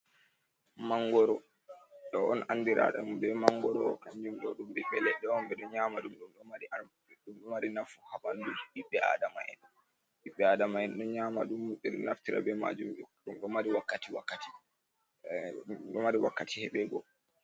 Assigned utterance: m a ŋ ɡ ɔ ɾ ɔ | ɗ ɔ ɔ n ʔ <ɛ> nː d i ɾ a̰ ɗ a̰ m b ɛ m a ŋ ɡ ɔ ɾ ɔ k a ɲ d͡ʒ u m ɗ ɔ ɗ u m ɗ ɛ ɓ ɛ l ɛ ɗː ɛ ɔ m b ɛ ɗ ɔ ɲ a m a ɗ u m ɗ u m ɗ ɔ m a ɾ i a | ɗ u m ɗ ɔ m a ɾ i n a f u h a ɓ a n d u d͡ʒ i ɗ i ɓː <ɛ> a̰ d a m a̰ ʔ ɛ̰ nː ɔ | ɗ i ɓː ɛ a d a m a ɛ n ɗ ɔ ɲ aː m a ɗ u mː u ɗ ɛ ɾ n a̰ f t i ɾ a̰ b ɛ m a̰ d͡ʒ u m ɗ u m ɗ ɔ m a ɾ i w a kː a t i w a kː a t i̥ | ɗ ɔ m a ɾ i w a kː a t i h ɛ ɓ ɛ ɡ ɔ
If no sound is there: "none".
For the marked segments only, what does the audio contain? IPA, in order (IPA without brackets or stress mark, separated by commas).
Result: a, ɛ